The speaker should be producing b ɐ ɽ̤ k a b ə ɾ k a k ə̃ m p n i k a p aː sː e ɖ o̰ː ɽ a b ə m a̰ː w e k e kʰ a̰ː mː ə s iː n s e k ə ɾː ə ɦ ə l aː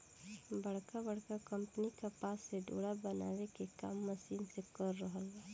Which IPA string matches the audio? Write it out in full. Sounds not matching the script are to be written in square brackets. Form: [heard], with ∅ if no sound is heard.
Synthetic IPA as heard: b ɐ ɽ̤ k a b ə [ɽ] k a k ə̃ m p n i k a p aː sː e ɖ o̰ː ɽ a b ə [n] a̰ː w e k e [k] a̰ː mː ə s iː n s e k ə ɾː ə ɦ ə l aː

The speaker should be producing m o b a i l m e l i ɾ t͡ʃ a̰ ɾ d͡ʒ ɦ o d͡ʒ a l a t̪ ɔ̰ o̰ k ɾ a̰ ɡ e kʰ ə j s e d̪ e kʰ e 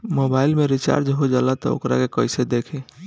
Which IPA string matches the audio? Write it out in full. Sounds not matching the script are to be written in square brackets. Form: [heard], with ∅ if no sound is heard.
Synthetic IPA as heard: m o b a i l m e [ɾ] i [∅] t͡ʃ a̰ ɾ d͡ʒ ɦ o d͡ʒ a l a t̪ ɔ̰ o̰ k ɾ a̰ [k] e [k] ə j s e d̪ e kʰ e

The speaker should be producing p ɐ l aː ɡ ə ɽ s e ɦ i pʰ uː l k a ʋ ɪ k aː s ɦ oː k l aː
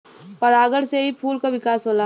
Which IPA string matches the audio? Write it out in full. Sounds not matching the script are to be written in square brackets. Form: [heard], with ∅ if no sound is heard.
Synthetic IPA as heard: p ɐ [ɾ] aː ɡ ə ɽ s e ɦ i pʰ uː l k a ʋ ɪ k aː s ɦ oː [∅] l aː

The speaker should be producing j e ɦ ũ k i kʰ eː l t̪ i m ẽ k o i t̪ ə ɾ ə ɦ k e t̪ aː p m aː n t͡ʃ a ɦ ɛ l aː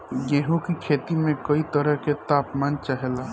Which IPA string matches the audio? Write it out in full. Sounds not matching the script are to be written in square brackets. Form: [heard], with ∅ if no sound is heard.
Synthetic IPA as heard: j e ɦ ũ k i kʰ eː [∅] t̪ i m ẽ k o i t̪ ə ɾ ə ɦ k e t̪ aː p m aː n t͡ʃ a ɦ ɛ l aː

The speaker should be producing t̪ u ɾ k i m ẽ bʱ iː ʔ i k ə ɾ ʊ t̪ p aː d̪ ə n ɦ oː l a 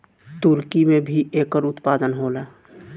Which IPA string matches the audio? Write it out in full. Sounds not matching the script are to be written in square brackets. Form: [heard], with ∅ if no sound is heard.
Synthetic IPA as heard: t̪ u ɾ k i m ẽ bʱ [i] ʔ [e] k ə ɾ ʊ t̪ p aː d̪ ə n ɦ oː l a

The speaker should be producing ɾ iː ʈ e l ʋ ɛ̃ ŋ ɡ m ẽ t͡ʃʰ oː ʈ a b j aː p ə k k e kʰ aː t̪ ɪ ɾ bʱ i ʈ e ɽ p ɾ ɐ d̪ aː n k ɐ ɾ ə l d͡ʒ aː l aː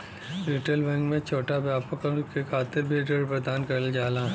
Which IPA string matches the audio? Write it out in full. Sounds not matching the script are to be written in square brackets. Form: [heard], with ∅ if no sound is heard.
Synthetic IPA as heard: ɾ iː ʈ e l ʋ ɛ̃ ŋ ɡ m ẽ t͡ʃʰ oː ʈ a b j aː p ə k k e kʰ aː t̪ ɪ ɾ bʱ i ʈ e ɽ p ɾ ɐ d̪ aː n k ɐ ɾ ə l d͡ʒ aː l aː

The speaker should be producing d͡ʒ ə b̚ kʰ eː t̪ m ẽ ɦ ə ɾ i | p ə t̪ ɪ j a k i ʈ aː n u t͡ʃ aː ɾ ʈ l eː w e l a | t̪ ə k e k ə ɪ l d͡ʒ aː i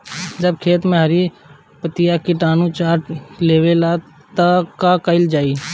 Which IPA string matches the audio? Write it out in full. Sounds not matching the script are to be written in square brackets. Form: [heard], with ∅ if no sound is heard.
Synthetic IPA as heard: d͡ʒ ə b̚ kʰ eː t̪ m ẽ ɦ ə ɾ i | p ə t̪ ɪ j a k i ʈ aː n u t͡ʃ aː ɾ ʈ l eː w e l a | t̪ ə k [a] k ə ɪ l d͡ʒ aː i

